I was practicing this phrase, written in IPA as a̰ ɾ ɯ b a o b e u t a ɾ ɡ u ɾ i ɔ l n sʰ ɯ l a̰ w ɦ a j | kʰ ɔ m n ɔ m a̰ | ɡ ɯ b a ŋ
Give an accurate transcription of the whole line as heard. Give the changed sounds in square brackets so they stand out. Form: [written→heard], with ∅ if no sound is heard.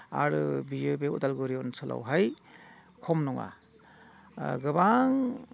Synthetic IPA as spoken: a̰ ɾ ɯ b [a→i] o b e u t a [ɾ→l] ɡ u ɾ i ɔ [l→∅] n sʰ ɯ l a̰ w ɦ a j | kʰ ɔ m n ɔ [m→ŋ] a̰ | ɡ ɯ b a ŋ